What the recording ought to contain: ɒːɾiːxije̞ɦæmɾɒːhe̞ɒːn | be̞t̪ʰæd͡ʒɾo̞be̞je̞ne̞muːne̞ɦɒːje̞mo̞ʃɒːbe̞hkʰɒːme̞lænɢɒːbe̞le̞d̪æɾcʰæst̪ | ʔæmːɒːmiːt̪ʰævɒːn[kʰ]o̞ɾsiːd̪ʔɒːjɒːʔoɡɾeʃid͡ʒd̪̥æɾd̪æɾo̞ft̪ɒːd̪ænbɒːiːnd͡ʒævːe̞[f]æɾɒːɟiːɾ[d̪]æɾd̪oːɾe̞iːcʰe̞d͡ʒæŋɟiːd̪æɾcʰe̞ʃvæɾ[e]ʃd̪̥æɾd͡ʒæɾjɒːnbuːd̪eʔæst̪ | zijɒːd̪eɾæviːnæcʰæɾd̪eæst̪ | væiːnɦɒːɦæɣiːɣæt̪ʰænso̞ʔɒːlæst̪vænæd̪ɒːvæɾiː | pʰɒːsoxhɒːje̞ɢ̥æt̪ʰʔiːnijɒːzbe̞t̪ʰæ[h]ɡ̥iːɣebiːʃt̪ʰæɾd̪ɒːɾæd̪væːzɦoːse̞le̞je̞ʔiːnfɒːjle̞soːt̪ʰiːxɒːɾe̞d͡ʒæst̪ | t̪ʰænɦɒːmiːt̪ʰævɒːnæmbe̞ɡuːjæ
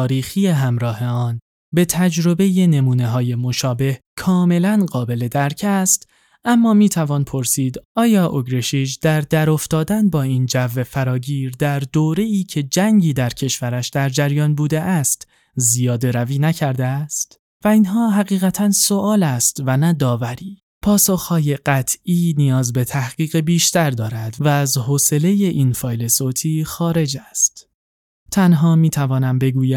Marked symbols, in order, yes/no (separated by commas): no, yes, yes, no, yes